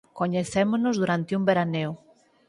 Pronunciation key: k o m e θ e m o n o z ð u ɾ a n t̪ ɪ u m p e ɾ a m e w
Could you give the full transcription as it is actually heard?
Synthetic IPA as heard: k o ɲ e θ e m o n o z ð u ɾ a n t̪ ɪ u m b e ɾ a n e w

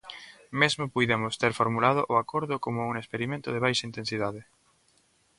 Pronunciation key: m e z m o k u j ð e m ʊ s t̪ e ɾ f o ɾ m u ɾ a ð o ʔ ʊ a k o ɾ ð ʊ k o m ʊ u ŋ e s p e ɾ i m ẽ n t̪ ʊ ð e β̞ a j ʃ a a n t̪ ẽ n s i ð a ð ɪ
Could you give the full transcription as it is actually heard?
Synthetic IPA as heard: m e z m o p u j ð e m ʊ s t̪ e ɾ f o ɾ m u l a ð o ʔ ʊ a k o ɾ ð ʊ k o m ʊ u ŋ e s p e ɾ i m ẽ n t̪ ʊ ð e β̞ a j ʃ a i n t̪ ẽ n s i ð a ð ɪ

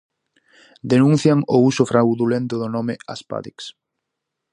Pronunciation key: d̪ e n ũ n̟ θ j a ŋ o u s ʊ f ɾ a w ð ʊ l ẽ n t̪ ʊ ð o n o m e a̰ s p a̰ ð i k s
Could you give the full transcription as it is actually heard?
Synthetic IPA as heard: d̪ e n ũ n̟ θ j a ŋ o u s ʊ f ɾ a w ð u l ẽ n t̪ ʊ ð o n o m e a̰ s p a̰ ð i k s

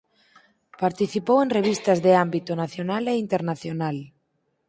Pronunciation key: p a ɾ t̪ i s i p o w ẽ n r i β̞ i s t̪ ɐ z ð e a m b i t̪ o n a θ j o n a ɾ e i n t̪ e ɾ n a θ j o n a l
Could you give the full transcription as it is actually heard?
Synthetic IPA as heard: p a ɾ t̪ i θ i p o w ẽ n r e β̞ i s t̪ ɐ z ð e a m b i t̪ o n a θ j o n a l e i n t̪ e ɾ n a θ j o n a l

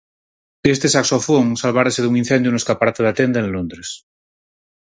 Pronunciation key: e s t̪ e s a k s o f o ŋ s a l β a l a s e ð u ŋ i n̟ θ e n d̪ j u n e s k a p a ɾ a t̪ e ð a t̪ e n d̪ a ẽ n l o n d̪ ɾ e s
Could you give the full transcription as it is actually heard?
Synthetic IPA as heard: e s t̪ e s a k s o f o ŋ s a l β a ɾ a s e ð u ŋ i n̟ θ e n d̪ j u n e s k a p a ɾ a t̪ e ð a t̪ e n d̪ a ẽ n l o n d̪ ɾ e s

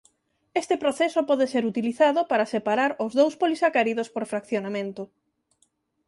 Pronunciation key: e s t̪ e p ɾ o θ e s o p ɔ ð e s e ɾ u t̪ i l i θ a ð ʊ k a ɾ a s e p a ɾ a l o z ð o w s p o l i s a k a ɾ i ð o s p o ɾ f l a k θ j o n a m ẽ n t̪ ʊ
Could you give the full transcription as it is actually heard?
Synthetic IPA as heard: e s t̪ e p ɾ o θ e s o p ɔ ð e s e ɾ u t̪ i l i θ a ð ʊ p a ɾ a s e p a ɾ a ɾ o z ð o w s p o l i s a k a ɾ i ð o s p o ɾ f ɾ a k θ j o n a m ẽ n t̪ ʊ

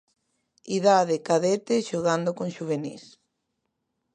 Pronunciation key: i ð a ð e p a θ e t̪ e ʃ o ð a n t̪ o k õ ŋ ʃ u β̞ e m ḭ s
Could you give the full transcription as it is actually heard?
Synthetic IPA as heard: i ð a ð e k a ð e t̪ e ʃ o ɣ a n d̪ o k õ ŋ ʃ u β̞ e n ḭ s

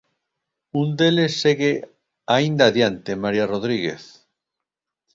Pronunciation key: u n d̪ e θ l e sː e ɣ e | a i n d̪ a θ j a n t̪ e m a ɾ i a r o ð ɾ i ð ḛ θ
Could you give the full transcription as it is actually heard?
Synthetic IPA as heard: u n d̪ e l e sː e ɣ e | a i n d̪ a ð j a n t̪ e m a ɾ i a r o ð ɾ i ɣ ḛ θ

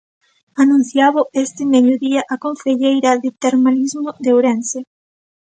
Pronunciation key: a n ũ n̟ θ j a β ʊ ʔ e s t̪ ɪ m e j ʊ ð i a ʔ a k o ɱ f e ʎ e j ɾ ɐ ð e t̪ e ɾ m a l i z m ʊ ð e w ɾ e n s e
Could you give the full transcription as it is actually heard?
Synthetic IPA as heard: a n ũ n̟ θ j a β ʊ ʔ e s t̪ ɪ m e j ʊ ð i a ʔ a k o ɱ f e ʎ e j ɾ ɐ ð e t̪ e ɾ m a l i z m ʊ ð e w ɾ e n s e

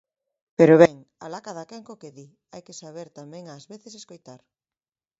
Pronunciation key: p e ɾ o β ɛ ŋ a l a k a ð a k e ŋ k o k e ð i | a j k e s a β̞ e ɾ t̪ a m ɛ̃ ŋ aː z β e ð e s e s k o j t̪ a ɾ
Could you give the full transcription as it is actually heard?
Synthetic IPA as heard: p e ɾ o β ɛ ŋ a l a k a ð a k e ŋ k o k e ð i | a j k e s a β̞ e ɾ t̪ a m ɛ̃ ŋ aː z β e θ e s e s k o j t̪ a ɾ

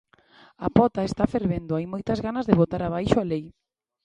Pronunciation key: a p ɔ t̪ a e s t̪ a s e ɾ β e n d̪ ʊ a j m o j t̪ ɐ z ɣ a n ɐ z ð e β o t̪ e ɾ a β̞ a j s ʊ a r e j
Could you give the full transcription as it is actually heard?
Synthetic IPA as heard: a p ɔ t̪ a e s t̪ a f e ɾ β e n d̪ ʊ a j m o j t̪ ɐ z ɣ a n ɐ z ð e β o t̪ a ɾ a β̞ a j ʃ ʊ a l e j

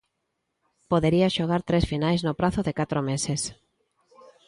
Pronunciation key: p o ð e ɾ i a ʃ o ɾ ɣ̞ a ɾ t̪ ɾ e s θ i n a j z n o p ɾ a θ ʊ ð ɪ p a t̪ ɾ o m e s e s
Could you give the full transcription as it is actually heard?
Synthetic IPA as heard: p o ð e ɾ i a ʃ o ɣ̞ a ɾ t̪ ɾ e s f i n a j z n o p ɾ a θ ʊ ð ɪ k a t̪ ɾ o m e s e s

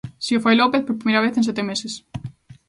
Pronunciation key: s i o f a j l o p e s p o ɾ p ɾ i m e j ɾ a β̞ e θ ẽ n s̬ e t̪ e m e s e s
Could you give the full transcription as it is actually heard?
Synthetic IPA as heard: s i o f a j l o p e θ p o ɾ p ɾ i m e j ɾ a β̞ e θ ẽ n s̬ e t̪ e m e s e s

